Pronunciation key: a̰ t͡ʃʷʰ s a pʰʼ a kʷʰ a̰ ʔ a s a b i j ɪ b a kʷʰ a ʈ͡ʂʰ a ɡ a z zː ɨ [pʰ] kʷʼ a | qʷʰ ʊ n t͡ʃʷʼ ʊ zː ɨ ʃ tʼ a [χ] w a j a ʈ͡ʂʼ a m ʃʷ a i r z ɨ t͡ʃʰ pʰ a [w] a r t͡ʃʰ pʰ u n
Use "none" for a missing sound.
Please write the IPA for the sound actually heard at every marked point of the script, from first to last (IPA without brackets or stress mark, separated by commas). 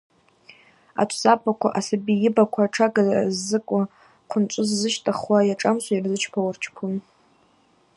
none, χ, w